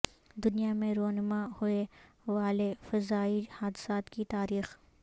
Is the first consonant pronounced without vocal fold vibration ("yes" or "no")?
no